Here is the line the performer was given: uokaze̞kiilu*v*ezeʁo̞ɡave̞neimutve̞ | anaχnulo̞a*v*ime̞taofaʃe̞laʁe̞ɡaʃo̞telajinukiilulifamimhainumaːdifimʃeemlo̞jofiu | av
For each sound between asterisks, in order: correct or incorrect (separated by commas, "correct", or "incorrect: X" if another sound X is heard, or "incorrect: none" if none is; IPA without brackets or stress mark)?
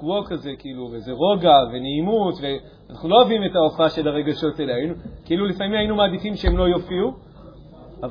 correct, correct